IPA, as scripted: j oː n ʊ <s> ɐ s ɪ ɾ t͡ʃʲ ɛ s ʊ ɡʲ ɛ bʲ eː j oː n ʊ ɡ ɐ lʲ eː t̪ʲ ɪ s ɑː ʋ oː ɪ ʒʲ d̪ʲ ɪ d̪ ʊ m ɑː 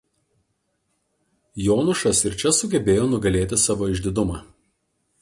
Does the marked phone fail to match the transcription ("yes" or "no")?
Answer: yes